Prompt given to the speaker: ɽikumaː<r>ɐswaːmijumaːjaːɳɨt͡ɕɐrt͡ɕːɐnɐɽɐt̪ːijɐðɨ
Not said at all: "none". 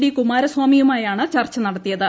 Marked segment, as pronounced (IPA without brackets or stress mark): ɾ